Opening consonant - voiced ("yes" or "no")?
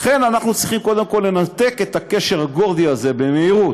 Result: no